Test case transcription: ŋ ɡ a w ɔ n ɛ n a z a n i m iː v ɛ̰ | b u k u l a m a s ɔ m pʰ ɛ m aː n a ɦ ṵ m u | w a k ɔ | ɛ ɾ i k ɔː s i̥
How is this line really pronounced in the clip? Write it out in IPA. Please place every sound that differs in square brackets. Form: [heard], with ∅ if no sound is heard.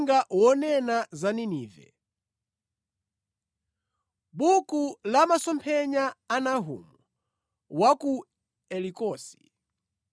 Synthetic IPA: ŋ ɡ a w ɔ n ɛ n a z a n i [n] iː v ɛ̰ | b u k u l a m a s ɔ m pʰ ɛ [ɲ] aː n a ɦ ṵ m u | w a k [u] | ɛ [l] i k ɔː s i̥

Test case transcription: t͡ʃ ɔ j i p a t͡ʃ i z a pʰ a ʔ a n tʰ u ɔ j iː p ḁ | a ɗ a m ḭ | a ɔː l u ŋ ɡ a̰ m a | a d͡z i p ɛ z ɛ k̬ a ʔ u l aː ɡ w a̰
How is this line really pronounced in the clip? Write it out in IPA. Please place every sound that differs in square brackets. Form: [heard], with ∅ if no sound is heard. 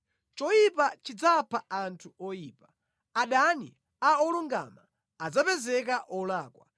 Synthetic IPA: t͡ʃ ɔ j i p a t͡ʃ i [d͡z] a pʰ a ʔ a n tʰ u ɔ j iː p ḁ | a ɗ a [n] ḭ | a [ɔ] l u ŋ ɡ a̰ m a | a d͡z [a] p ɛ z ɛ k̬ a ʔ [ɔ] l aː [k] w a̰

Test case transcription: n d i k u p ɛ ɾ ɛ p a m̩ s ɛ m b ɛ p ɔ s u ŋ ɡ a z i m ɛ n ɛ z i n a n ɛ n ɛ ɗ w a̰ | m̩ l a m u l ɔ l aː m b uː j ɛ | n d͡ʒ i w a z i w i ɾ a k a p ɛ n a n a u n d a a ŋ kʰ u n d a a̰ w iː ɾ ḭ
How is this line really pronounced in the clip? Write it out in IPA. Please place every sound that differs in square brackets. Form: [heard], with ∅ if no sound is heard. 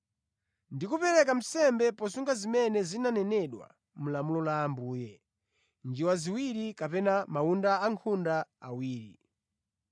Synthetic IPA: n d i k u p ɛ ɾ ɛ [k] a m̩ s ɛ m b ɛ p ɔ s u ŋ ɡ a z i m ɛ n ɛ z i n a n ɛ n ɛ ɗ w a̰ | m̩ l a m u l ɔ l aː m b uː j ɛ | n d͡ʒ i w a z i w i ɾ [i] k a p ɛ n a [m] a u n d a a ŋ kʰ u n d a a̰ w iː ɾ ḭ

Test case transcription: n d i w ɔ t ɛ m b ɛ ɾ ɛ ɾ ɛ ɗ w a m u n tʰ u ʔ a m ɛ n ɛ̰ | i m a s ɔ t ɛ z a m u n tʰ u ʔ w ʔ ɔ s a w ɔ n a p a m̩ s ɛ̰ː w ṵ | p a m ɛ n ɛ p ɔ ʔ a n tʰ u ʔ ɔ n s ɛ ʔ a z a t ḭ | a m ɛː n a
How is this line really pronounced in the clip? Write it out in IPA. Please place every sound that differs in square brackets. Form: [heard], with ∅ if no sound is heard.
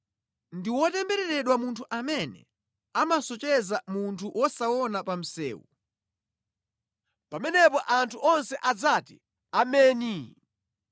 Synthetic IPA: n d i w ɔ t ɛ m b ɛ ɾ ɛ ɾ ɛ ɗ w a m u n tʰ u ʔ a m ɛ n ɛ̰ | [a] m a s ɔ [t͡ʃ] ɛ z a m u n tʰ u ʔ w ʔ ɔ s a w ɔ n a p a m̩ s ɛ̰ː w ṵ | p a m ɛ n ɛ p ɔ ʔ a n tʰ u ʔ ɔ n s ɛ ʔ a [d͡z] a t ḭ | a m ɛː n [i]

